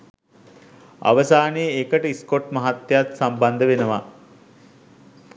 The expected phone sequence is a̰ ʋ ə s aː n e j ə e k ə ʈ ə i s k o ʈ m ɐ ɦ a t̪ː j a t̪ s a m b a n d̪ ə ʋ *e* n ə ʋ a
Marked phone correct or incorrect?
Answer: correct